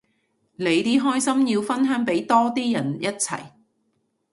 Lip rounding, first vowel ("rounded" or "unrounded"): unrounded